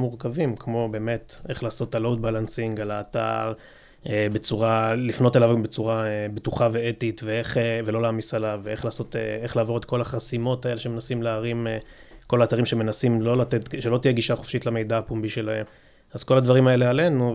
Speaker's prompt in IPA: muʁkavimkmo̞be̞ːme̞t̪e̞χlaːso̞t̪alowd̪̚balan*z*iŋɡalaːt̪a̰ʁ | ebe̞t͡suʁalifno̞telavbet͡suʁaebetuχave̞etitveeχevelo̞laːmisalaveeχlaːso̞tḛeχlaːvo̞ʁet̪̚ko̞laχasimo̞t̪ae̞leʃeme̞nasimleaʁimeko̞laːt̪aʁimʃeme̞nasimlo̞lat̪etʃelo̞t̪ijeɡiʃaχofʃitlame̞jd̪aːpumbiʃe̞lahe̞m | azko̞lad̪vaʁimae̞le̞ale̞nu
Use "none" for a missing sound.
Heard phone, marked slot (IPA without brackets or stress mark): s